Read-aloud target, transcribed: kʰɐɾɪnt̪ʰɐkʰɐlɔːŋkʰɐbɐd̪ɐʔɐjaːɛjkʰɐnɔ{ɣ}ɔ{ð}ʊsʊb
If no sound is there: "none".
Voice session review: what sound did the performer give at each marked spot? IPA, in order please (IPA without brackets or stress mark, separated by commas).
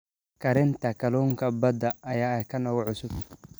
ɣ, ʕ